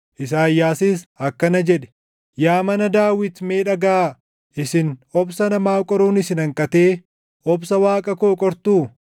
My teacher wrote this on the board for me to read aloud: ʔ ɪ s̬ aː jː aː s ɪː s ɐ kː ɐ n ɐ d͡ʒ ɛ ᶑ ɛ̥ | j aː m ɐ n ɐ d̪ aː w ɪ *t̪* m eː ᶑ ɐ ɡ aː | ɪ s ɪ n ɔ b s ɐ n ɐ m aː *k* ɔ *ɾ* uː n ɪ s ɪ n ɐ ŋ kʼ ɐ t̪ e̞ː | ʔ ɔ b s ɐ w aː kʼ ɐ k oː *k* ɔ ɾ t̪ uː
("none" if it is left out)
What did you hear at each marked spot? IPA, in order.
t̪, kʼ, ɾ, kʼ

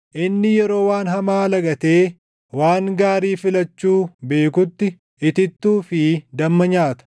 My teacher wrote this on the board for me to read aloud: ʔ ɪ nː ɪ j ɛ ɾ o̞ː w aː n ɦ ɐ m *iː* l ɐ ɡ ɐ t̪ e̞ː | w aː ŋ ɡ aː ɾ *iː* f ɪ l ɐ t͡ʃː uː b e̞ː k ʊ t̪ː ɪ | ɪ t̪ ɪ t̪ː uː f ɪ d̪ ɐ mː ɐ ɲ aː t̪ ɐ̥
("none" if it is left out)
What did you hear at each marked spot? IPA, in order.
aː, iː

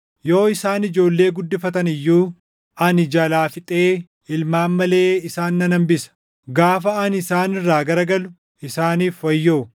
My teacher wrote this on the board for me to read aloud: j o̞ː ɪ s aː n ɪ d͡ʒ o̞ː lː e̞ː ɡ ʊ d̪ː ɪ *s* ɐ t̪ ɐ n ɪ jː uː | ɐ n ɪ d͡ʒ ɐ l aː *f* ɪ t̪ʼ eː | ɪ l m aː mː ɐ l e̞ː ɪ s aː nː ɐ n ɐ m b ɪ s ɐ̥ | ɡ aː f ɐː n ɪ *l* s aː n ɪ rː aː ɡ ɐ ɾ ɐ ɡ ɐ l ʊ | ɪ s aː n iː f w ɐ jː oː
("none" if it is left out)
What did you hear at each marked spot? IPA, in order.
f, f, none

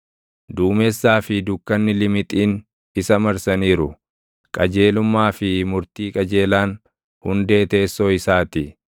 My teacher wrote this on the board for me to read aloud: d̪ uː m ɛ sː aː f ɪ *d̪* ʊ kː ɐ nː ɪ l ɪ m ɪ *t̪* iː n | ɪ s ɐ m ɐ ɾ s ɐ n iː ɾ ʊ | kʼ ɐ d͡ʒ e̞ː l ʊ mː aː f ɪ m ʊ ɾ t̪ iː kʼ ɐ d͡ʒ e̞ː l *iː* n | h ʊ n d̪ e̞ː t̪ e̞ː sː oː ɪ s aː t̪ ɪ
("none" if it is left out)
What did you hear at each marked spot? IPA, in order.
d̪, t̪ʼ, aː

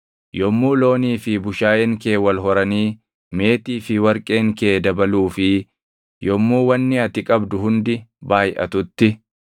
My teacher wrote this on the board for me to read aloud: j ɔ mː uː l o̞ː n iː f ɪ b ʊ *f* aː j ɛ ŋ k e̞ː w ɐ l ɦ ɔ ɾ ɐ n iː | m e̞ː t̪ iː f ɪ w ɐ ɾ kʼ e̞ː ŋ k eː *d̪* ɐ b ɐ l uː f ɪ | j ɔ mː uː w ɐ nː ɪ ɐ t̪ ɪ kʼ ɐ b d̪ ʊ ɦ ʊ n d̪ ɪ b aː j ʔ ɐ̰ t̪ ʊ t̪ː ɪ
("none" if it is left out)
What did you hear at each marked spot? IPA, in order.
ʃ, d̪

